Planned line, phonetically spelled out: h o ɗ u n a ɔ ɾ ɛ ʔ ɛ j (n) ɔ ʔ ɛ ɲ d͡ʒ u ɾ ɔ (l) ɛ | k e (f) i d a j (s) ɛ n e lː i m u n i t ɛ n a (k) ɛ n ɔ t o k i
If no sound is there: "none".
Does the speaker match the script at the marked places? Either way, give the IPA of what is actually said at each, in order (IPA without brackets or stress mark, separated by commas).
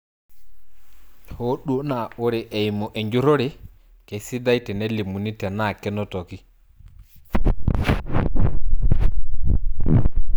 m, ɾ, s, t, k